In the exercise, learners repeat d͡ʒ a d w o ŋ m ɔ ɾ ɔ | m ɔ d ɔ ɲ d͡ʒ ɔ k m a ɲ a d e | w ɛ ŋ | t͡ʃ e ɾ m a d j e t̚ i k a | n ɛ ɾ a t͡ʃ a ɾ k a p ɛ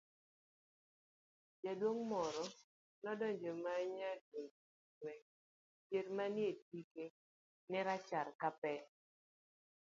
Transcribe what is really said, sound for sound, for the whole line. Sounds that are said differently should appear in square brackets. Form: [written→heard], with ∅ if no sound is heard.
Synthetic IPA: d͡ʒ a d w o ŋ m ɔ ɾ ɔ | [m→n] ɔ d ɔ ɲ d͡ʒ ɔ [k→∅] m a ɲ a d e | w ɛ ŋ | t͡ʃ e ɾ m a [d→n] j e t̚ i k [a→e] | n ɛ ɾ a t͡ʃ a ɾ k a p ɛ